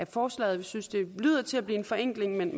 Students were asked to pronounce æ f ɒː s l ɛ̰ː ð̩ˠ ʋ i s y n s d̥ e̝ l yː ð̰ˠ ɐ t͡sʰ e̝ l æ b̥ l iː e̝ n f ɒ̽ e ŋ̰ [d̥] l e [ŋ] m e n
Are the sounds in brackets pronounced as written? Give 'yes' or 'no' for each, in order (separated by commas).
no, yes